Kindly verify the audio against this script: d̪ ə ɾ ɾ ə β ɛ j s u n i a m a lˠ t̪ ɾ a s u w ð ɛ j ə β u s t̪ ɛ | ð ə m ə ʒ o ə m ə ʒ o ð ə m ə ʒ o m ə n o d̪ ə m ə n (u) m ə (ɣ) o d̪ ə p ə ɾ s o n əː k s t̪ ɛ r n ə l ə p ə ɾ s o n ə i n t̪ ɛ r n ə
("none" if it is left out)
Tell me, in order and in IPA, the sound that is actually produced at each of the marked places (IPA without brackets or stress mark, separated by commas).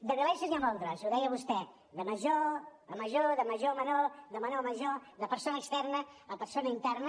o, ʒ